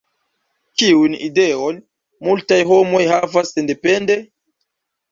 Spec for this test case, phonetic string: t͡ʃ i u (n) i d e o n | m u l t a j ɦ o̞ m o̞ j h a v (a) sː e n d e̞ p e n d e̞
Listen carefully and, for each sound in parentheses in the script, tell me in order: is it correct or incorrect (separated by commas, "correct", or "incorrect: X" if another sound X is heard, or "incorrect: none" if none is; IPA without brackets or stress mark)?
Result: correct, correct